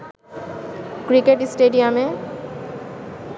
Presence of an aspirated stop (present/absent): absent